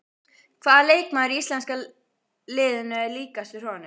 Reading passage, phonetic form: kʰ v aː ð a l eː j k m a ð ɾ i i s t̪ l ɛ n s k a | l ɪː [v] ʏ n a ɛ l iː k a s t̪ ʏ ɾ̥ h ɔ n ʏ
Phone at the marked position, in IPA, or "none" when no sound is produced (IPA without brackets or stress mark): ð